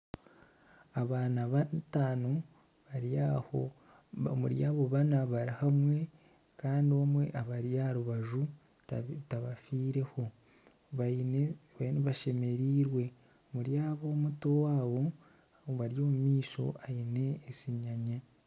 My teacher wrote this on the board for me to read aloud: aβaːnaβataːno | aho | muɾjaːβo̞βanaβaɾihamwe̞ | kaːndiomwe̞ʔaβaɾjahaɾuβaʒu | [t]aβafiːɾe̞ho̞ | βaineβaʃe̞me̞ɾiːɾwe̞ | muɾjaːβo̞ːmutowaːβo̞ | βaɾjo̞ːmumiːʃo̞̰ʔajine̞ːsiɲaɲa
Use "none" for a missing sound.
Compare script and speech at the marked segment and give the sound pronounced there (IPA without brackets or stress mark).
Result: t